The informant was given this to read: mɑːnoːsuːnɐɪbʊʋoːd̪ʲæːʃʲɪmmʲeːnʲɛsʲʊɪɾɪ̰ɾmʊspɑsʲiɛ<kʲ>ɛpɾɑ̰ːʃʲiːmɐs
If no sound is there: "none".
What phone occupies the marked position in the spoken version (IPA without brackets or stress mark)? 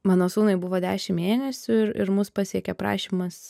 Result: kʲ